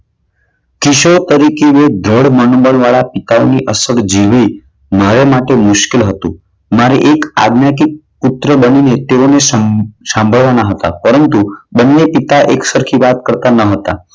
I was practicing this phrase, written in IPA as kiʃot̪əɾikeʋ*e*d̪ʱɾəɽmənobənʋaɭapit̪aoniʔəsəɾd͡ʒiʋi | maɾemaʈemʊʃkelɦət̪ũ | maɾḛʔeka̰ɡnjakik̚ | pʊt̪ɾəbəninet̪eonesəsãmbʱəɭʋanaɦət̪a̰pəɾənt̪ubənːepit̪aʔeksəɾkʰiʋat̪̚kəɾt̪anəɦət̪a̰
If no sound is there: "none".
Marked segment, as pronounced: e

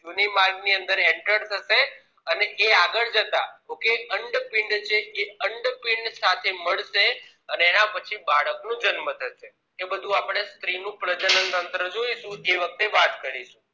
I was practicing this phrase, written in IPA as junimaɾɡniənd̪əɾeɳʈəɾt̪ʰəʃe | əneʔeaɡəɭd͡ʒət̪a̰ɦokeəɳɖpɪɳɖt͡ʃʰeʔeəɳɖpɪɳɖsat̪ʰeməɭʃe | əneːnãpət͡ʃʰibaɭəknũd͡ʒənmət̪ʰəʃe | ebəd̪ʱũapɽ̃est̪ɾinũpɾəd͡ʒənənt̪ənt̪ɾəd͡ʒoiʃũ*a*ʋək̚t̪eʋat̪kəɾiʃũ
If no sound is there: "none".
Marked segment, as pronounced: e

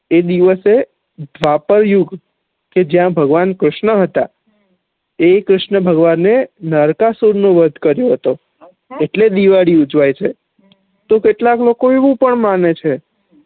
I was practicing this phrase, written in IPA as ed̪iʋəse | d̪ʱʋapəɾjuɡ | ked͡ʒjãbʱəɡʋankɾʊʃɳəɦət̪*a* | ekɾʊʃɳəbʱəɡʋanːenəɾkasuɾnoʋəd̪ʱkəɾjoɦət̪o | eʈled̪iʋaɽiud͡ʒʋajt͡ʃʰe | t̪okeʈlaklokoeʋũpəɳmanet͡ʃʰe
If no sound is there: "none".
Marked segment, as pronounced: a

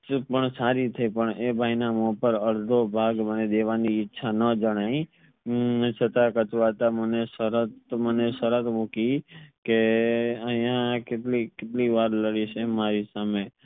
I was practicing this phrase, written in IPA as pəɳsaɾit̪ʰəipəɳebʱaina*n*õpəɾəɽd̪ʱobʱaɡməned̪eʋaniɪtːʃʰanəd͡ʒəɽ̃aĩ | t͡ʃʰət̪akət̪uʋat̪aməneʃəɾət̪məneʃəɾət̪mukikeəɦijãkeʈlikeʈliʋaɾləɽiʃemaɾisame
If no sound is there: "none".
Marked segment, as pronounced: m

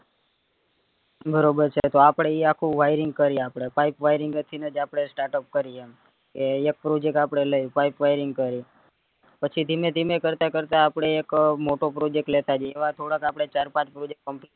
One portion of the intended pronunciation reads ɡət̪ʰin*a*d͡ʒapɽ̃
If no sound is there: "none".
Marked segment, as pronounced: ə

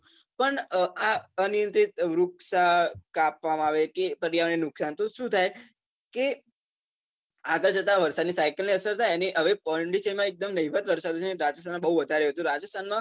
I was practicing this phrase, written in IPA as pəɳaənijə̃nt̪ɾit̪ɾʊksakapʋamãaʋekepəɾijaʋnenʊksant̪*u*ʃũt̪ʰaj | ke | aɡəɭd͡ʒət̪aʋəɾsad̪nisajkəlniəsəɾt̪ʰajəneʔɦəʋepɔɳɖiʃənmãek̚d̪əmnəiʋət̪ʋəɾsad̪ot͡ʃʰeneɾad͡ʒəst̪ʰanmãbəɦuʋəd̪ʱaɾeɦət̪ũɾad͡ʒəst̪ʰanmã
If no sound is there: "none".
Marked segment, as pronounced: o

